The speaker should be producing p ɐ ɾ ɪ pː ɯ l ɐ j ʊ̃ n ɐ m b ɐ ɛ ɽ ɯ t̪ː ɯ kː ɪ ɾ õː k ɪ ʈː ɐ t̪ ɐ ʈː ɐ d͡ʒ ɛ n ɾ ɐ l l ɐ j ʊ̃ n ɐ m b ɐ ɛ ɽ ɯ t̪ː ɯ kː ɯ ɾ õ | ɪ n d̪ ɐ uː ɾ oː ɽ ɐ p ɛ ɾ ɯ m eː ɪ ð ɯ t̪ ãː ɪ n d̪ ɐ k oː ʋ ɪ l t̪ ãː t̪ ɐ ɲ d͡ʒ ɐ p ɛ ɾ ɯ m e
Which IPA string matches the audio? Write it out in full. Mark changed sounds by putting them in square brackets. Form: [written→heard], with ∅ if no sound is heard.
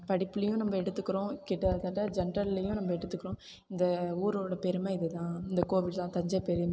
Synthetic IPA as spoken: p ɐ [ɾ→ɽ] ɪ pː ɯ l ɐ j ʊ̃ n ɐ m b ɐ ɛ ɽ ɯ t̪ː ɯ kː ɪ ɾ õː k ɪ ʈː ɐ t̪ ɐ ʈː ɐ d͡ʒ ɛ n ɾ ɐ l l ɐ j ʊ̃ n ɐ m b ɐ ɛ ɽ ɯ t̪ː ɯ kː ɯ ɾ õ | ɪ n d̪ ɐ uː ɾ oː ɽ ɐ p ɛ ɾ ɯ m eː ɪ ð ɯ t̪ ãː ɪ n d̪ ɐ k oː ʋ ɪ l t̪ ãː t̪ ɐ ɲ d͡ʒ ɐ p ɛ ɾ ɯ m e

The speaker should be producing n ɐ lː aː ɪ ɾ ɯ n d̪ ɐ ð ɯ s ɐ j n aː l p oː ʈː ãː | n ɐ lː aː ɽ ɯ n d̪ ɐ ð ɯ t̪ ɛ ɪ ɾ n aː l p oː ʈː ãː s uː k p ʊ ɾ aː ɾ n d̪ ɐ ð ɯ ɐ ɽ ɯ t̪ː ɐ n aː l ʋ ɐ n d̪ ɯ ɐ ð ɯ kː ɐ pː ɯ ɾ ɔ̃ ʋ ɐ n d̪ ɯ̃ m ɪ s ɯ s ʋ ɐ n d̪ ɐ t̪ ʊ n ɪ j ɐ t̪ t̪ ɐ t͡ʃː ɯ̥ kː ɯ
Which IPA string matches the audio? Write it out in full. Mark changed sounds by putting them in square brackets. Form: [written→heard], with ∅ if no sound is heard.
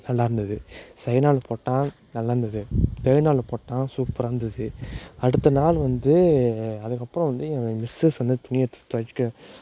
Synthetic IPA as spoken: n ɐ lː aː ɪ ɾ ɯ n d̪ ɐ ð ɯ s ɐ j n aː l p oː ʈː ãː | n ɐ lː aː [ɽ→ɾ] ɯ n d̪ ɐ ð ɯ t̪ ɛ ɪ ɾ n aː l p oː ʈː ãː s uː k p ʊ ɾ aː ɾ n d̪ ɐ ð ɯ ɐ ɽ ɯ t̪ː ɐ n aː l ʋ ɐ n d̪ ɯ ɐ ð ɯ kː ɐ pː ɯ ɾ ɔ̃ ʋ ɐ n d̪ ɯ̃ m ɪ s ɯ s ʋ ɐ n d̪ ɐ t̪ ʊ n ɪ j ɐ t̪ t̪ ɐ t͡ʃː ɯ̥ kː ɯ

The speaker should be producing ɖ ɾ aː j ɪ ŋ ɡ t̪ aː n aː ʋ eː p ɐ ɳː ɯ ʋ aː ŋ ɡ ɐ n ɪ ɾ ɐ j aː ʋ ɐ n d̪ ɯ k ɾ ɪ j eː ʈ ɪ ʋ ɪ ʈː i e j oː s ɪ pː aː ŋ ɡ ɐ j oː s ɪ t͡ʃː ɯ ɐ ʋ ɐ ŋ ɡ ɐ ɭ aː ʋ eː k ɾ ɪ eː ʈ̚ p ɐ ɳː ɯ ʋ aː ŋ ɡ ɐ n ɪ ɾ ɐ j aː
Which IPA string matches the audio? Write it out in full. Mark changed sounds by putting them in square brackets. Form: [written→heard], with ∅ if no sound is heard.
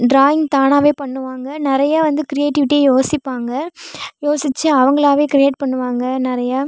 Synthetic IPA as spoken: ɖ ɾ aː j ɪ ŋ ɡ t̪ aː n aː ʋ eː p ɐ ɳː ɯ ʋ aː ŋ ɡ ɐ n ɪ ɾ ɐ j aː ʋ ɐ n d̪ ɯ k ɾ ɪ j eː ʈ ɪ ʋ ɪ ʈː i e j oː s ɪ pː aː ŋ ɡ ɐ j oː s ɪ t͡ʃː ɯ ɐ ʋ ɐ ŋ ɡ ɐ ɭ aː ʋ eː k ɾ ɪ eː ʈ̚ p ɐ ɳː ɯ ʋ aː ŋ ɡ ɐ n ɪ ɾ ɐ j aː

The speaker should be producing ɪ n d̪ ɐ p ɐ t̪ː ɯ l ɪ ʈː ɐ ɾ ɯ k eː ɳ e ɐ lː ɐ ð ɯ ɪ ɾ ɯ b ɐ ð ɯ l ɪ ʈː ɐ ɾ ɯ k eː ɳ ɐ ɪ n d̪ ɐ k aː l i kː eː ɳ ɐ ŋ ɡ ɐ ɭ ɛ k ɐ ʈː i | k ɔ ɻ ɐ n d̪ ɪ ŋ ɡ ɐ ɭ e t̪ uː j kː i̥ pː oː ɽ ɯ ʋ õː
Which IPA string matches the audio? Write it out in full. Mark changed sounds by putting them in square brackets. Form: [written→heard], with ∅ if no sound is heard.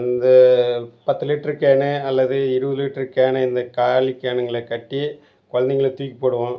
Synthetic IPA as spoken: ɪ n d̪ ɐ p ɐ t̪ː ɯ l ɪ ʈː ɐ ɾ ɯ k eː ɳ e ɐ lː ɐ ð ɯ ɪ ɾ ɯ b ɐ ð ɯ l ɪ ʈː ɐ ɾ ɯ k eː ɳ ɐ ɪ n d̪ ɐ k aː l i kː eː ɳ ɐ ŋ ɡ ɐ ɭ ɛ k ɐ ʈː i | k ɔ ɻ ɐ n d̪ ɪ ŋ ɡ ɐ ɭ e t̪ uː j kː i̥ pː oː ɽ ɯ ʋ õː

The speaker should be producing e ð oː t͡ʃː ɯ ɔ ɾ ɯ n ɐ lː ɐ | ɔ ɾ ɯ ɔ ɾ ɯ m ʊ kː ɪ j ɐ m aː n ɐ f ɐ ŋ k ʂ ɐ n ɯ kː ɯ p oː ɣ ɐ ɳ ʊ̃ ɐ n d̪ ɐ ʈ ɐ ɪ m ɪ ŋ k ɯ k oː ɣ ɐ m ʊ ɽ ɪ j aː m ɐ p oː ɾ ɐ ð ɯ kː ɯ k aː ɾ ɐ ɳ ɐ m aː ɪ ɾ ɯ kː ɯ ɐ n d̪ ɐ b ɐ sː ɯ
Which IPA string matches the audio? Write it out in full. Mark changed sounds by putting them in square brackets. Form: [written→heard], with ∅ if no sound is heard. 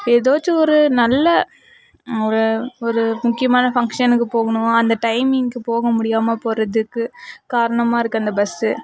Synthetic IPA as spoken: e ð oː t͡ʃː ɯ ɔ ɾ ɯ n ɐ lː ɐ | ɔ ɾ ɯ ɔ ɾ ɯ m ʊ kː ɪ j ɐ m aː n ɐ f ɐ ŋ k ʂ ɐ n ɯ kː ɯ p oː ɣ ɐ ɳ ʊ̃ ɐ n d̪ ɐ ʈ ɐ ɪ m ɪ ŋ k ɯ [k→p] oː ɣ ɐ m ʊ ɽ ɪ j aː m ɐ p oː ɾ ɐ ð ɯ kː ɯ k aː ɾ ɐ ɳ ɐ m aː ɪ ɾ ɯ kː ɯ ɐ n d̪ ɐ b ɐ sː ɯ

